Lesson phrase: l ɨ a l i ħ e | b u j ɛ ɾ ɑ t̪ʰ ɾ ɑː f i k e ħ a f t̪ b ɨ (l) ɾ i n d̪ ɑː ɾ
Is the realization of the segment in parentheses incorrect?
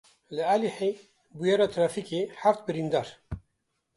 yes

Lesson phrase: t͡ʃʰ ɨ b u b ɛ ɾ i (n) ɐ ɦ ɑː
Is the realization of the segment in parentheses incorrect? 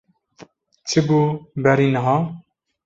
no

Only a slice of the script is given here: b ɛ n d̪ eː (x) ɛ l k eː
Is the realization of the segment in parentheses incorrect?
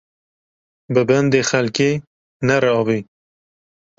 no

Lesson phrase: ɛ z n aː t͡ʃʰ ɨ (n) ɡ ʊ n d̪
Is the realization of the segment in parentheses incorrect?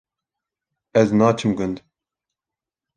yes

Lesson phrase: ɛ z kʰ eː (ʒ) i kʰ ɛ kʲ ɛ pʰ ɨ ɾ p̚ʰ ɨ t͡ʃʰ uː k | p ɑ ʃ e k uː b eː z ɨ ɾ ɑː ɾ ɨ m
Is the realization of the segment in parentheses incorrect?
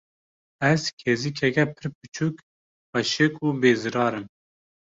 yes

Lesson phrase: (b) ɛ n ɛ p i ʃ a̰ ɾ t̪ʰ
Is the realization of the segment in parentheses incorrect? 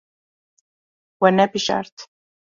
yes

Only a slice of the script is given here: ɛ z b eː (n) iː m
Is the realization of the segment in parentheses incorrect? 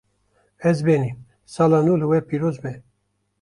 no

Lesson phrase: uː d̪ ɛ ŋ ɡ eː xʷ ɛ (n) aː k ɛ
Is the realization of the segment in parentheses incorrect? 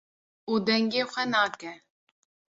no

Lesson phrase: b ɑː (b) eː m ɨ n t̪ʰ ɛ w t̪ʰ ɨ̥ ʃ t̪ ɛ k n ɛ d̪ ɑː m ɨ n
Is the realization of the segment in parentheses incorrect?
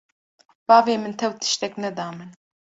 yes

